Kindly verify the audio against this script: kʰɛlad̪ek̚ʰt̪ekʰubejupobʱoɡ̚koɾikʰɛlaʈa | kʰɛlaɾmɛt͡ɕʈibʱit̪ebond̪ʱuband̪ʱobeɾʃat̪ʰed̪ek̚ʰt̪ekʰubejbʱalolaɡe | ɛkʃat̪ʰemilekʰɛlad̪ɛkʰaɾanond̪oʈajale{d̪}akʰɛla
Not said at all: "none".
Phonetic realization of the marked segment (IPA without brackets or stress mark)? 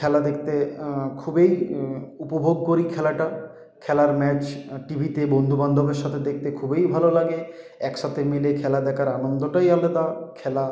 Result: d̪